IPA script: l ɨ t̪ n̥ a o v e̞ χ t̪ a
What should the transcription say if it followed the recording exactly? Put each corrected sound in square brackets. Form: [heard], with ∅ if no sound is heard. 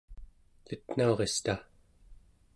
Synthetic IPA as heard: l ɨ t̪ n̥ a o [ʁ] e̞ [s] t̪ a